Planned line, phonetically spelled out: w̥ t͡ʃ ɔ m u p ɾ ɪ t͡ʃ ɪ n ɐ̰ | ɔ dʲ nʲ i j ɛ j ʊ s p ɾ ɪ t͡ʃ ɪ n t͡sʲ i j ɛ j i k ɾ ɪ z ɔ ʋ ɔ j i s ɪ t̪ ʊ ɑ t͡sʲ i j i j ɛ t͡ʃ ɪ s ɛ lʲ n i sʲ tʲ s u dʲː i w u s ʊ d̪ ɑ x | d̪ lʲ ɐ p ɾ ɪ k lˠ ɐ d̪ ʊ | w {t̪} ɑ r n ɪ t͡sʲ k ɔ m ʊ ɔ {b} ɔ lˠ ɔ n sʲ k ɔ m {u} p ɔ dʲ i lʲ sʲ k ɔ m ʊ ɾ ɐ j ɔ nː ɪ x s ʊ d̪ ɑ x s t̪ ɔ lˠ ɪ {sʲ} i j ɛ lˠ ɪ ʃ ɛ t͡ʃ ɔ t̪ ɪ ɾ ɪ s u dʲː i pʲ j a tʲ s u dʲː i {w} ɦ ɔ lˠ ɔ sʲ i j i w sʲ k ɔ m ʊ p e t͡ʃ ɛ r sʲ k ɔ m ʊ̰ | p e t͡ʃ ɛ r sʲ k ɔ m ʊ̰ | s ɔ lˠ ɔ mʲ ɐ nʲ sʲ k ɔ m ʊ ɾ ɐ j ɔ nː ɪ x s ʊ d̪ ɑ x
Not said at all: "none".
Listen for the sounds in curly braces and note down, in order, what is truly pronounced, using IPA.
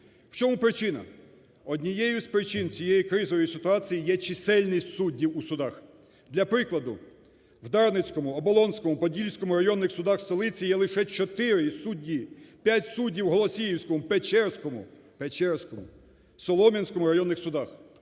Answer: d̪, b, ʊ, t͡sʲ, w

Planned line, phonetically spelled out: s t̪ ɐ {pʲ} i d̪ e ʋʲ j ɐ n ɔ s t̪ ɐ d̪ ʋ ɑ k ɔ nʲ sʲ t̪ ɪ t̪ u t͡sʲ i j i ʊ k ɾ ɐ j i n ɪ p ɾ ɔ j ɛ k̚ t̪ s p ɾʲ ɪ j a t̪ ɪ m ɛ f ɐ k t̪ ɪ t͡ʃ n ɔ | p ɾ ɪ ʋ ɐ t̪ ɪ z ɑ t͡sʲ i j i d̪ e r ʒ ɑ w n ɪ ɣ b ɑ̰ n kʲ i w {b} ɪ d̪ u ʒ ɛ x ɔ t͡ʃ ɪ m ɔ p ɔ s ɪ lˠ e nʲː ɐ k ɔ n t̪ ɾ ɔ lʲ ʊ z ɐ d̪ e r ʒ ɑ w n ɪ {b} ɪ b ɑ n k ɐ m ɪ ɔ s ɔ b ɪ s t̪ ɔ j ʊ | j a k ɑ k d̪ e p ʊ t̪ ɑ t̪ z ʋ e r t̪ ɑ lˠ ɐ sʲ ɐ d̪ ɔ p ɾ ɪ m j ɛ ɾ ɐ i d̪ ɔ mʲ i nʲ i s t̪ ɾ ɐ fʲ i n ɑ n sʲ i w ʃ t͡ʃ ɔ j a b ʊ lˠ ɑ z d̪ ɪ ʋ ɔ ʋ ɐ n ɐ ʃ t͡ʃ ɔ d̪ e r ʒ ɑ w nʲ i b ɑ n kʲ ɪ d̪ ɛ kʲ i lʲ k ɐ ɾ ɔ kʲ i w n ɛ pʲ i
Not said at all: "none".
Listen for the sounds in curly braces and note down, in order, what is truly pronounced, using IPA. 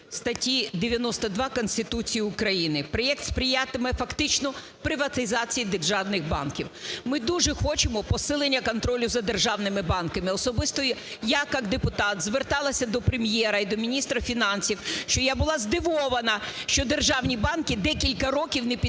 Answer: tʲ, m, m

